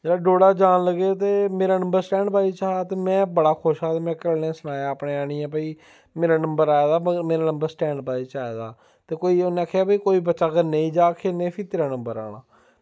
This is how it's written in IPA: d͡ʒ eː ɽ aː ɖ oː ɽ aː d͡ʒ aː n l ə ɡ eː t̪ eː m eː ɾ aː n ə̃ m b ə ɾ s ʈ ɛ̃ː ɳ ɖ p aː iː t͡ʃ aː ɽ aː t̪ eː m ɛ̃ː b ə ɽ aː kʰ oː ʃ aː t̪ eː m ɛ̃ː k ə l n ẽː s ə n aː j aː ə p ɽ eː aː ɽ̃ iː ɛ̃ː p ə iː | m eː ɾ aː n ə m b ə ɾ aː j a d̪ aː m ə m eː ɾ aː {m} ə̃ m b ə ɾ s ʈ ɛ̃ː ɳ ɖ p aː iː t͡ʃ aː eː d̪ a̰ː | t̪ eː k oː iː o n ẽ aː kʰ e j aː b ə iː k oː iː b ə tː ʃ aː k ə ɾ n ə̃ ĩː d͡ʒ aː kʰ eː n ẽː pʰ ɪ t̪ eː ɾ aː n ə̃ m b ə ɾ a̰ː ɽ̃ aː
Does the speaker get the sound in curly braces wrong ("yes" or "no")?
yes